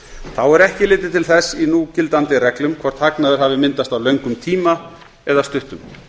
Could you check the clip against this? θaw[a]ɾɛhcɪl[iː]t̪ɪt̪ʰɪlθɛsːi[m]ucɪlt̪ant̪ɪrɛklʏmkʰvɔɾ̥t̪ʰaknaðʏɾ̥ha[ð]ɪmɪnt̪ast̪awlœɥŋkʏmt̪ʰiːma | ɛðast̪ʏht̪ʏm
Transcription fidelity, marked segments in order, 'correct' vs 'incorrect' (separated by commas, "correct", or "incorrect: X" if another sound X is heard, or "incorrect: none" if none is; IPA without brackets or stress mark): incorrect: ɛ, incorrect: ɪː, incorrect: n, incorrect: v